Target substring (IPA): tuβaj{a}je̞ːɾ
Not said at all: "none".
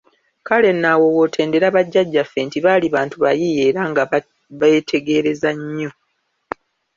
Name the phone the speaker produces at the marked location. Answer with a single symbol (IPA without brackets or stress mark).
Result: i